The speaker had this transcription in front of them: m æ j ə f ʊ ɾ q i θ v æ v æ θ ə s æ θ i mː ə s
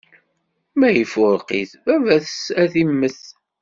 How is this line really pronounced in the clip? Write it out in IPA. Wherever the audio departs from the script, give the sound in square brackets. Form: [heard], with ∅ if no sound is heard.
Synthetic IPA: m æ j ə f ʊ ɾ q i θ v æ v æ θ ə s æ θ i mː ə [θ]